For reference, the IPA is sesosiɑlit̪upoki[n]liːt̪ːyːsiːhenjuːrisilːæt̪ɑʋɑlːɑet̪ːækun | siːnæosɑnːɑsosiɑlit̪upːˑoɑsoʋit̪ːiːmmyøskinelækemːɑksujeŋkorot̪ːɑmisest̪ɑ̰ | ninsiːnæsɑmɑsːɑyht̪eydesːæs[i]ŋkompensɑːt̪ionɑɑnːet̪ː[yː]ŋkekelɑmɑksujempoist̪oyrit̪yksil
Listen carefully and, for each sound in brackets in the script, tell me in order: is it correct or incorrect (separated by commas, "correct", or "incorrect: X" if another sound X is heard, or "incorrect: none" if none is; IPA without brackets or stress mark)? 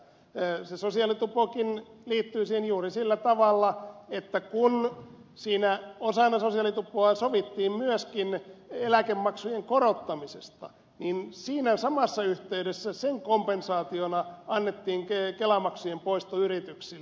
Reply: correct, incorrect: e, incorrect: iː